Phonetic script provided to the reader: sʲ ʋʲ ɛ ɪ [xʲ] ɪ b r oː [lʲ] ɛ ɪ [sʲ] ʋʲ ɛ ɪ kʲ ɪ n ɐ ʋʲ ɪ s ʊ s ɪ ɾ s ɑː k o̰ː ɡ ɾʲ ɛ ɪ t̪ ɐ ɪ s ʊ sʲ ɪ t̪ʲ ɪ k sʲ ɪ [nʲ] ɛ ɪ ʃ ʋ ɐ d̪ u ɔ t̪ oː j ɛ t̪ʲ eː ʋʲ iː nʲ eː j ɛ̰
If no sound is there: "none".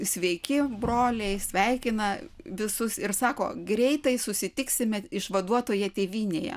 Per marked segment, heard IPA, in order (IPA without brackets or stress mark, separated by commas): kʲ, lʲ, sʲ, mʲ